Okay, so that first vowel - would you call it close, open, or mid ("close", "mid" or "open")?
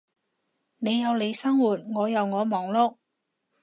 mid